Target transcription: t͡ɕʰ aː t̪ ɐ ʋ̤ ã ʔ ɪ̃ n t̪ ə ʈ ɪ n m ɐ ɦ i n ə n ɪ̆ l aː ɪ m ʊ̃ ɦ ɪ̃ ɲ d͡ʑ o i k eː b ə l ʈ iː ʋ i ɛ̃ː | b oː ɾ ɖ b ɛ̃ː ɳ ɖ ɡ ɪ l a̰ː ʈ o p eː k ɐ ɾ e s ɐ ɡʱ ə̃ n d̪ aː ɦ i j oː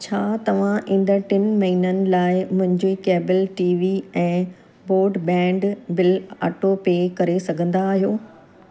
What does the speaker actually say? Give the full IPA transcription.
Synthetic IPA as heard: t͡ɕʰ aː t̪ ɐ ʋ̤ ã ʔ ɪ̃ n d̪ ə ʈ ɪ n m ɐ ɦ i n ə n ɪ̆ l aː ɪ m ʊ̃ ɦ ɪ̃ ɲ d͡ʑ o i k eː b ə l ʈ iː ʋ i ɛ̃ː | b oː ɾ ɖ b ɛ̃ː ɳ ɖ b ɪ l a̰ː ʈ o p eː k ɐ ɾ e s ɐ ɡʱ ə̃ n d̪ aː ɦ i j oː